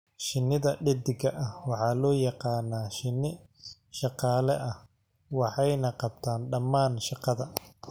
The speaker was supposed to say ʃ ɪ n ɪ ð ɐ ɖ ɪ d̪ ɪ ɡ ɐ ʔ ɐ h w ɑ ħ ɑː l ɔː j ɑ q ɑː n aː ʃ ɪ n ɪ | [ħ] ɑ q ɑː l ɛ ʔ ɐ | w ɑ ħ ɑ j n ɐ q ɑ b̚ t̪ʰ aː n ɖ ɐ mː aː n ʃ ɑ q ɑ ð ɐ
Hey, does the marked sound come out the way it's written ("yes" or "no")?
no